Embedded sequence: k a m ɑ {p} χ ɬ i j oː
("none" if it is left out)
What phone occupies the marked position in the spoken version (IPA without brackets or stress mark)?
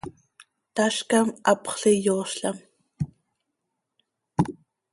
p